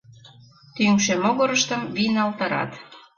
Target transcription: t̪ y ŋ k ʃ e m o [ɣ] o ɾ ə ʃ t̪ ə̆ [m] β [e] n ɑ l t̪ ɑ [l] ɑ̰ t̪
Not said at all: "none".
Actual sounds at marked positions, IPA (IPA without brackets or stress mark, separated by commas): ɣ, m, i, ɾ